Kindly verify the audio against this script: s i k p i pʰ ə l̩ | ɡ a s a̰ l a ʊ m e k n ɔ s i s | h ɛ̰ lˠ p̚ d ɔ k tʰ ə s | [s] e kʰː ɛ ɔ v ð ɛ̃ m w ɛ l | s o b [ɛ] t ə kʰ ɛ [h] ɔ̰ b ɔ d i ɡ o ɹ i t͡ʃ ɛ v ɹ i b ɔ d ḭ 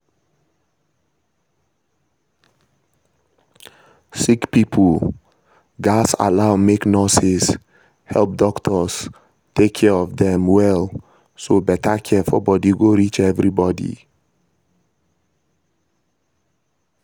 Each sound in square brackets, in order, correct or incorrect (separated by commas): incorrect, correct, incorrect